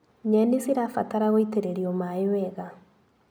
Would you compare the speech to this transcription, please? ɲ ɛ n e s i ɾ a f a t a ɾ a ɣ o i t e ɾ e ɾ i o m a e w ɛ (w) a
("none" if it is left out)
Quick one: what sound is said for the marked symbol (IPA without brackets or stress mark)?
ɣ